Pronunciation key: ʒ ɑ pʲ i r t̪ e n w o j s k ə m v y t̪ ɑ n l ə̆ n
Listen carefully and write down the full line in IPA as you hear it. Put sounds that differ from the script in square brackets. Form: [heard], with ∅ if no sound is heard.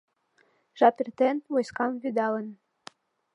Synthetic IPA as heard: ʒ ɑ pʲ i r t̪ e n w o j s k [ɑ] m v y [d̪] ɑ [∅] l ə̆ n